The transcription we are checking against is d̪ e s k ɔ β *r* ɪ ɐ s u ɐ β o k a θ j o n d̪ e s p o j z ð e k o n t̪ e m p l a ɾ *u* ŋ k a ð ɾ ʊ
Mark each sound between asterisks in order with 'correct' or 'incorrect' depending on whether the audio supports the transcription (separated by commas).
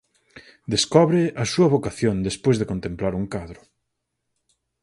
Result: incorrect, correct